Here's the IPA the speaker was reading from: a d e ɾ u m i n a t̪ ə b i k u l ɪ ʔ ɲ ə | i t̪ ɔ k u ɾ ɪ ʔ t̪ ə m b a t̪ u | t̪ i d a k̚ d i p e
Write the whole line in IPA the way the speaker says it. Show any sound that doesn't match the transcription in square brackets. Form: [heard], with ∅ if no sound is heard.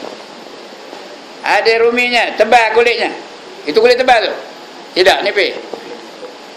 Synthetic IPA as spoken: a d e ɾ u m i [ɲ] a t̪ ə b [a] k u l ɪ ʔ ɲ [a] | i t̪ [u] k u [l] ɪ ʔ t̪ ə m b a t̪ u | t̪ i d a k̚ [n] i p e

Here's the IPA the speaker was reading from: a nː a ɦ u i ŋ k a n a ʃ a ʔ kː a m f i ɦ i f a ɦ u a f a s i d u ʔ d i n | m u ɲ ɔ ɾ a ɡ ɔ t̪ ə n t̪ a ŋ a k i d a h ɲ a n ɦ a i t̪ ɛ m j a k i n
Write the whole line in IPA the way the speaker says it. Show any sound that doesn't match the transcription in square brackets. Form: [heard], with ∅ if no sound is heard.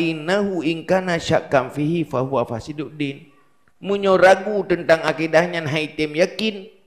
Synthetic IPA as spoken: [i] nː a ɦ u i ŋ k a n a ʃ a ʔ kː a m f i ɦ i f a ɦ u a f a s i d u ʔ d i n | m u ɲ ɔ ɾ a ɡ [u] t̪ ə n t̪ a ŋ a k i d a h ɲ a n ɦ a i t̪ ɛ m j a k i n

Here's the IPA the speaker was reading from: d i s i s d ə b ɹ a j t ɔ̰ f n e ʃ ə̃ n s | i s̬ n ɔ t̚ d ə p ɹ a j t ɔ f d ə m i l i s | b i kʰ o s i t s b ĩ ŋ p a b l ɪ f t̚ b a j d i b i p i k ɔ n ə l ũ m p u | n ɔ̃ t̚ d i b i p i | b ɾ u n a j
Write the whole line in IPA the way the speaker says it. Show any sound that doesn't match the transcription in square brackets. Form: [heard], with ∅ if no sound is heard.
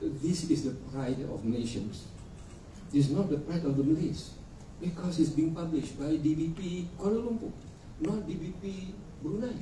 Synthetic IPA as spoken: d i s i s d ə [p] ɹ a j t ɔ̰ f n e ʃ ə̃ n s | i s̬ n ɔ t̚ d ə p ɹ a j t ɔ f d ə m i l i s | b i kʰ [ɔ] s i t s b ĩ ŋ p a b l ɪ [ʃ] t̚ b a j d i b i p i k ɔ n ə l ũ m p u | n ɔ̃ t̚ d i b i p i | b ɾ u n a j

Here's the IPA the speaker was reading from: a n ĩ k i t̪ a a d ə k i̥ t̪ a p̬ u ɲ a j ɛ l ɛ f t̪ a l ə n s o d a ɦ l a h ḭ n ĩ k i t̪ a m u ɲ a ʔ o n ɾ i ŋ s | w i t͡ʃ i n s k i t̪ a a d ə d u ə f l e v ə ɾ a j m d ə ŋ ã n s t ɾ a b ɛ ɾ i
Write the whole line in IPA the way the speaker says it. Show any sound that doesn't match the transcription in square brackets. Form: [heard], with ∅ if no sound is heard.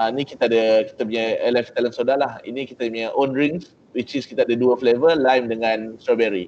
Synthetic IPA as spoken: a n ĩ k i t̪ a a d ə k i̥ t̪ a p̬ u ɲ a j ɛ l ɛ f t̪ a l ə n s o d a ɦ l a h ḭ n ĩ k i t̪ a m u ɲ a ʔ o n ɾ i ŋ s | w i t͡ʃ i [∅] s k i t̪ a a d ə d u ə f l e v ə [l] a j m d ə ŋ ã n s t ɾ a b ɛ ɾ i

